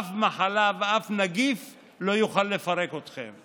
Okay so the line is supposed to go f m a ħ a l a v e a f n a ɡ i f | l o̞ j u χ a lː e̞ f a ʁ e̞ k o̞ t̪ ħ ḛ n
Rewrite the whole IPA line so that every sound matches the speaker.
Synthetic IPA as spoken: f m a ħ a l a v e a f n a ɡ i f | l o̞ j u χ a lː e̞ f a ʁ e̞ k o̞ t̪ χ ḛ m

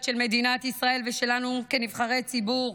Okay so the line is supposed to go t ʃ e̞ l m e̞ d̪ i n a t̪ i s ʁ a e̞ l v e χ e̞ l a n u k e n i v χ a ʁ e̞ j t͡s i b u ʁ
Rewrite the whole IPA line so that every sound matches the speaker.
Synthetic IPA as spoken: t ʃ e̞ l m e̞ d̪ i n a t̪ i s ʁ a e̞ l v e ʃ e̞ l a n u k e n i v χ a ʁ e̞ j t͡s i b u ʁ

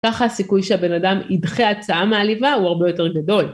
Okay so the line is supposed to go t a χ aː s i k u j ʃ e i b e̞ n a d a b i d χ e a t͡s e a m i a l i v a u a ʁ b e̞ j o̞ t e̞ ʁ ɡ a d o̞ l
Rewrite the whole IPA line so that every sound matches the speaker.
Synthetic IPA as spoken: k a χ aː s i k u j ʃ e a b e̞ n a d a m i d χ e a t͡s a a m e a l i v a u a ʁ b e̞ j o̞ t e̞ ʁ ɡ a d o̞ l

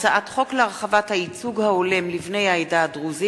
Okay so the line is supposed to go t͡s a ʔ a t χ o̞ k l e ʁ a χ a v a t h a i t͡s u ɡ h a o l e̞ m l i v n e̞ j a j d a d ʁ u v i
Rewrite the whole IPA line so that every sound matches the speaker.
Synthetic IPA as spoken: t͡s a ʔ a t χ o̞ k l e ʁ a χ a v a t h a i t͡s u ɡ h a o l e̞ m l i v n e̞ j a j d a d ʁ u z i

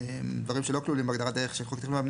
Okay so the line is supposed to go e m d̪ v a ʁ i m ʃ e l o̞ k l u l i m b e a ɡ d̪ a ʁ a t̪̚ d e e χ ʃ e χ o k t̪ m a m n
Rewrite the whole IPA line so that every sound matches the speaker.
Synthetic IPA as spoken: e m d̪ v a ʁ i m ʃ e l o̞ k l u l i m b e a ɡ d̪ a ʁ a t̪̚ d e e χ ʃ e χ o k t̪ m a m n

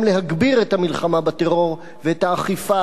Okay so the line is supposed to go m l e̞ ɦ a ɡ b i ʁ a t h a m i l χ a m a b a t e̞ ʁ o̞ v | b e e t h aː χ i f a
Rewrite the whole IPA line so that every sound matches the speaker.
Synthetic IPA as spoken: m l e̞ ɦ a ɡ b i ʁ e t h a m i l χ a m a b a t e̞ ʁ o̞ ʁ | v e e t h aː χ i f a

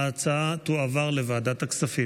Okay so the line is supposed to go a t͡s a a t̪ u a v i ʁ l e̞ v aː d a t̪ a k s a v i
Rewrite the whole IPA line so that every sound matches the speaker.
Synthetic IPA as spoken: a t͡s a a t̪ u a v a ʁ l e̞ v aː d a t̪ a k s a f i

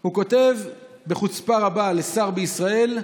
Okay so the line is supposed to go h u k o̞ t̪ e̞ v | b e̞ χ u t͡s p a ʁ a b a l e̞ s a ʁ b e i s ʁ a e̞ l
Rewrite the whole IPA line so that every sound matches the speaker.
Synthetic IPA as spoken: h u k o̞ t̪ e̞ v | b e̞ χ u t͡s p a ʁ a b a l e̞ s a ʁ b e i s ʁ a e̞ l

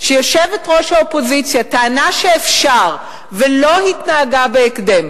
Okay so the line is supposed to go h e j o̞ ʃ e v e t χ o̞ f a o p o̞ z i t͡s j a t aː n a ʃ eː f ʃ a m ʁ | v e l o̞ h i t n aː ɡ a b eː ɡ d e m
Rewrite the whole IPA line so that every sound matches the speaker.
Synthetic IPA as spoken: ʃ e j o̞ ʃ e v e t ʁ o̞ ʃ a o p o̞ z i t͡s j a t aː n a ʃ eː f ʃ a ʁ | v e l o̞ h i t n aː ɡ a b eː k d e m

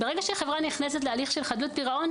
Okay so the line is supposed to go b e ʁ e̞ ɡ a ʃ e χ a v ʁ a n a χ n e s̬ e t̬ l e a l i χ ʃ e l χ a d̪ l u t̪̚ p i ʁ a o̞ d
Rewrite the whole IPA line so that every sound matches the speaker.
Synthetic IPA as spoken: b e ʁ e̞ ɡ a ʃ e χ e v ʁ a n i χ n e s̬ e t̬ l e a l i χ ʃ e l χ a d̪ l u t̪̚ p i ʁ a o̞ n

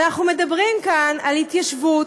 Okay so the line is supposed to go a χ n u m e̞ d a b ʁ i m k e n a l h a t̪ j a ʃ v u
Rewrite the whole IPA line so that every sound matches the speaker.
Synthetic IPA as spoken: a χ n u m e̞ d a b ʁ i m k a n a l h i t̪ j a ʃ v u

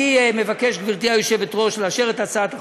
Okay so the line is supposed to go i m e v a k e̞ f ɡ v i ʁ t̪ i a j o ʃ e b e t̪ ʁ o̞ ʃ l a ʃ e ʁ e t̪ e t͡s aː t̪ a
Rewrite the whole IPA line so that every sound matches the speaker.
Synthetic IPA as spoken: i m e v a k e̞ ʃ ɡ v i ʁ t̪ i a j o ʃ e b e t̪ ʁ o̞ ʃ l a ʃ e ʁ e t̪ a t͡s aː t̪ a

